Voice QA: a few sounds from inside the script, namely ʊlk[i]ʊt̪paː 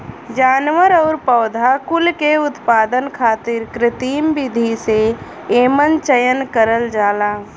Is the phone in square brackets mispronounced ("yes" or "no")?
yes